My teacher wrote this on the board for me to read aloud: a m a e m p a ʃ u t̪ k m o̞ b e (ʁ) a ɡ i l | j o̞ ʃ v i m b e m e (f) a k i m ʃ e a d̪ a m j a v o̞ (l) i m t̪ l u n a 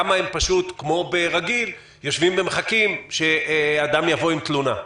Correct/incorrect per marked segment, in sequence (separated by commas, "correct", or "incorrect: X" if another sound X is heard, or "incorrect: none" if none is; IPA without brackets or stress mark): correct, incorrect: χ, incorrect: none